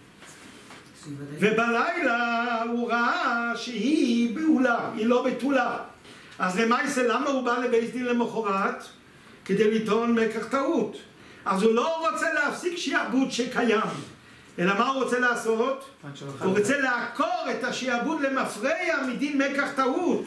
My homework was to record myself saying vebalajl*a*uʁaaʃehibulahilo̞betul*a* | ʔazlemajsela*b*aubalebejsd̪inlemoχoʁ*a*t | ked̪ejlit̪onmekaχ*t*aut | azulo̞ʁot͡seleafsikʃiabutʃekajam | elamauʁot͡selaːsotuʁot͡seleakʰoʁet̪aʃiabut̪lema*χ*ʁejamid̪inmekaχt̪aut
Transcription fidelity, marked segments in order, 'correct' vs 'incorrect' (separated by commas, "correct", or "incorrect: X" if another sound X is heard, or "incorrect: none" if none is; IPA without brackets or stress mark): correct, correct, incorrect: m, correct, correct, incorrect: f